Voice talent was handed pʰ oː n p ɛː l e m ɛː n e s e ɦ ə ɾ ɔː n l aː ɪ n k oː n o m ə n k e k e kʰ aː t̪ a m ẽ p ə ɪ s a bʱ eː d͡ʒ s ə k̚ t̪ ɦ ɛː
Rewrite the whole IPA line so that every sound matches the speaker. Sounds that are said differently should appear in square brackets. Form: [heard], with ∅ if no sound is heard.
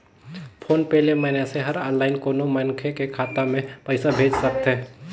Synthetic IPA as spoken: pʰ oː n p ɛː l e m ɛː n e s e ɦ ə ɾ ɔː n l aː ɪ n k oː n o m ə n [kʰ] e k e kʰ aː t̪ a m ẽ p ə ɪ s a bʱ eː d͡ʒ s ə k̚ t̪ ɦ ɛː